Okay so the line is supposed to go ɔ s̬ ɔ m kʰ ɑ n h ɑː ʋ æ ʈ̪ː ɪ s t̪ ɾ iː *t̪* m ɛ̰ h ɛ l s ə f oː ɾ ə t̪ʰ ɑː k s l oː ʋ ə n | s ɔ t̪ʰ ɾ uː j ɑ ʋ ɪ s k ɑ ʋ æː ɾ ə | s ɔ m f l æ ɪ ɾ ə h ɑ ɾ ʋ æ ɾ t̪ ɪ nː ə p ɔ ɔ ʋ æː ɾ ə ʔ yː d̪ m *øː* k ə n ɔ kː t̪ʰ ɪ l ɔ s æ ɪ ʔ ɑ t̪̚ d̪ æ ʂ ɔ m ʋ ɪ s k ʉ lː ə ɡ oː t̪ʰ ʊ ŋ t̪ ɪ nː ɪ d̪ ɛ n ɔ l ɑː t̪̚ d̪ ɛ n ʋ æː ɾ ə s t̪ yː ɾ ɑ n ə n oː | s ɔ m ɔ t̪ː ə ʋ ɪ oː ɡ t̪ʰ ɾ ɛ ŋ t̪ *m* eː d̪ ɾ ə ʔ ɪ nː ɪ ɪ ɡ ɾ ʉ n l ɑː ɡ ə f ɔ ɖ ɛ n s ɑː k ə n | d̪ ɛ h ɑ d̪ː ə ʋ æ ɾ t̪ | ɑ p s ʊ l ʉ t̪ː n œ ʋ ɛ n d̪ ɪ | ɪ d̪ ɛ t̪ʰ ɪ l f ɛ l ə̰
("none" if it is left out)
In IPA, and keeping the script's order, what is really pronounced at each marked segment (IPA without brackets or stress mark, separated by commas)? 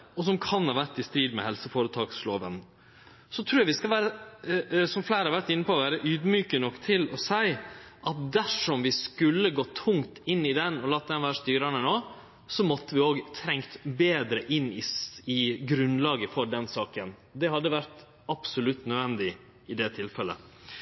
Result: d̪, yː, b